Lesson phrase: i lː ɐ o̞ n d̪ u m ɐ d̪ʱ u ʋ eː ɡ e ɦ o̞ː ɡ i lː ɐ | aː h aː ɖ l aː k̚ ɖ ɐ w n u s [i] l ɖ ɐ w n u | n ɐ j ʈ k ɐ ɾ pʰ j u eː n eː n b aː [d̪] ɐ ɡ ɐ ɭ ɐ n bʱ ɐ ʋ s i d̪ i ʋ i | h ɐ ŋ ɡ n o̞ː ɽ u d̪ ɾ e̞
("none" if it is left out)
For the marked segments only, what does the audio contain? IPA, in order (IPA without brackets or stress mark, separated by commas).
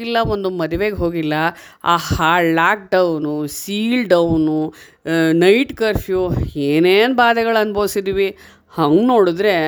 iː, d̪